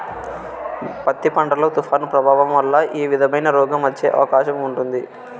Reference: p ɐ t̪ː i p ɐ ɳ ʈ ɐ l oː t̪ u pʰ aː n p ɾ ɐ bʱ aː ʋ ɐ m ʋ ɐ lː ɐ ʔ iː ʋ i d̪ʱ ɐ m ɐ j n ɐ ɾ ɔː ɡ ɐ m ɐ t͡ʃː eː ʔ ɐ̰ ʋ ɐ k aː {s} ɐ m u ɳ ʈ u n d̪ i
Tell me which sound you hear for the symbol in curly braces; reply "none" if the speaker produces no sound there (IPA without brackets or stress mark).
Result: ʃ